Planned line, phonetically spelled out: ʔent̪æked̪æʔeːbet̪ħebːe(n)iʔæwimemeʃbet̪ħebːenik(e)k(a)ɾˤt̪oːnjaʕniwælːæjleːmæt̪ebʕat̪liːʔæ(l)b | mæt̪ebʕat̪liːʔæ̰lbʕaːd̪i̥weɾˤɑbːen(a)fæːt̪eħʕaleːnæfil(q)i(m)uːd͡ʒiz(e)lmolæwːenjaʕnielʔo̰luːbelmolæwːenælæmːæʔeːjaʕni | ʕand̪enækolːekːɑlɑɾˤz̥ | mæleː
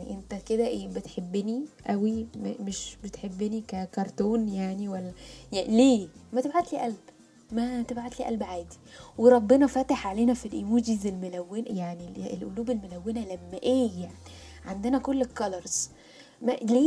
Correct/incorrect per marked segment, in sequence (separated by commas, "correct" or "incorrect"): correct, incorrect, incorrect, correct, incorrect, incorrect, correct, correct